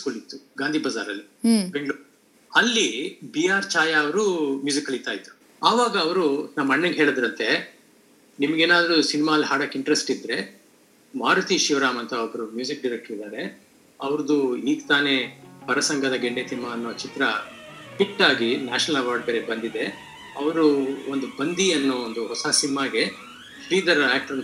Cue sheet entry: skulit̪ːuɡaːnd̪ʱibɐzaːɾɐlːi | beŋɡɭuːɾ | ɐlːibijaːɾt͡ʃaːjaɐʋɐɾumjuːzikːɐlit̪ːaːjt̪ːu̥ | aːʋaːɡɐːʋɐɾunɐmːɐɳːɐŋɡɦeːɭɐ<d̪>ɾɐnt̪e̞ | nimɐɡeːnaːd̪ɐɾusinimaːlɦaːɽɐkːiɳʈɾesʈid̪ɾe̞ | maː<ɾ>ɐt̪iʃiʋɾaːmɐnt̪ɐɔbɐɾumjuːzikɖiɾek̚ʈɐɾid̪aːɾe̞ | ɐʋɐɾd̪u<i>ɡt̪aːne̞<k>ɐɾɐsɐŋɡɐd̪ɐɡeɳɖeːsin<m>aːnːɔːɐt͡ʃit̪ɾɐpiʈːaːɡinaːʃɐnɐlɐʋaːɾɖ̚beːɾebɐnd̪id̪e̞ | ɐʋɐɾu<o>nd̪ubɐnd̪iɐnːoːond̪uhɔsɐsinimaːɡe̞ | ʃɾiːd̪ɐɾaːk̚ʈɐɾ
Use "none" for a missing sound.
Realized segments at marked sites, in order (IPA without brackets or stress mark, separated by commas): d̪, ɾ, iː, p, m, o